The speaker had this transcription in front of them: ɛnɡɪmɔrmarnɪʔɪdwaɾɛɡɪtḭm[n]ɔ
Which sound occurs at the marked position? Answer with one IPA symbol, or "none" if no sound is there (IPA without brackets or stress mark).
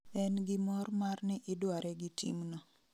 n